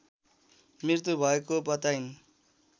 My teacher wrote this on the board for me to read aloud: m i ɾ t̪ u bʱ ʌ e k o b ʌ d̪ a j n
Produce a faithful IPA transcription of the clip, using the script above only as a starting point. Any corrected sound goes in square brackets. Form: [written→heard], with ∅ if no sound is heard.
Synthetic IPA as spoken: m i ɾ t̪ u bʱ ʌ e k o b ʌ [d̪→t̪] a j n